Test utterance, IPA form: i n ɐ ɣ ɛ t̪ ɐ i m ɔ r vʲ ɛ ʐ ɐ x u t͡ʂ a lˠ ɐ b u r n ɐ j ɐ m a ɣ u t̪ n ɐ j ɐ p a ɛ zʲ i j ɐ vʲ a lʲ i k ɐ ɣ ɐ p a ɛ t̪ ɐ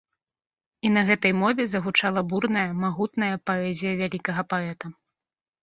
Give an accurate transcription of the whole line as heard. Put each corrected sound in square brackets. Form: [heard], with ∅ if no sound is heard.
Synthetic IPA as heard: i n ɐ ɣ ɛ t̪ ɐ [j] m ɔ [∅] vʲ ɛ [z] ɐ [ɣ] u t͡ʂ a lˠ ɐ b u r n ɐ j ɐ m a ɣ u t̪ n ɐ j ɐ p a ɛ zʲ i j ɐ vʲ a lʲ i k ɐ ɣ ɐ p a ɛ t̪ ɐ